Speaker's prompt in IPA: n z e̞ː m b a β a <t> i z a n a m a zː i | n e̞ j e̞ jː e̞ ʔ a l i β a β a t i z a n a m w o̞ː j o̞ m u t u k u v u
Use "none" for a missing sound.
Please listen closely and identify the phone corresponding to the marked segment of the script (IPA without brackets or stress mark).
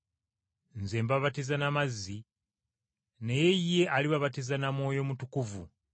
t